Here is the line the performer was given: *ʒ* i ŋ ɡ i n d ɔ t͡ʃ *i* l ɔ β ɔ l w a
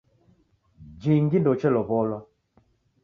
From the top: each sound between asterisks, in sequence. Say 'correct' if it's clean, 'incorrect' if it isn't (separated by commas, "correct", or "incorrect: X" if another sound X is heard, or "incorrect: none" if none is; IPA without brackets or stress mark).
incorrect: d͡ʒ, incorrect: ɛ